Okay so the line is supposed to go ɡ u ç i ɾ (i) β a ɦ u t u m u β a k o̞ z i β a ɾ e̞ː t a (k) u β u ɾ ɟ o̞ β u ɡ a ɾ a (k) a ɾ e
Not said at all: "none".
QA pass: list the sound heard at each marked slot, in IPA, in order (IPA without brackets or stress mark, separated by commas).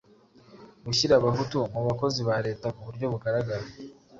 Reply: a, k, ɡ